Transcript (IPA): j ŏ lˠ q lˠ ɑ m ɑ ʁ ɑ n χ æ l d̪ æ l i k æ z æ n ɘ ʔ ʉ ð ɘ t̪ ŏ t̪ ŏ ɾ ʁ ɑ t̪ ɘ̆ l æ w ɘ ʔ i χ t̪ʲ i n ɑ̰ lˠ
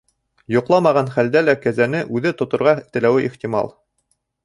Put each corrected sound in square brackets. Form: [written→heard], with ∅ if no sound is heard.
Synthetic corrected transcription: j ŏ [lˠ→∅] q lˠ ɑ m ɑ ʁ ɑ n χ æ l d̪ æ l [i→æ] k æ z æ n ɘ ʔ ʉ ð ɘ t̪ ŏ t̪ ŏ ɾ ʁ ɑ t̪ ɘ̆ l æ w ɘ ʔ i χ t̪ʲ i [n→m] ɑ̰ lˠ